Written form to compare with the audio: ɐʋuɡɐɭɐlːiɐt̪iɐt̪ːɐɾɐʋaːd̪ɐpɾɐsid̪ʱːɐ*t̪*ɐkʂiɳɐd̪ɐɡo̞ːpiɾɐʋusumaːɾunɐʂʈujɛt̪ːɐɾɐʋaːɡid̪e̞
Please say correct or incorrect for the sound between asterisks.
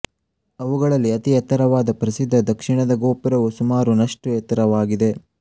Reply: incorrect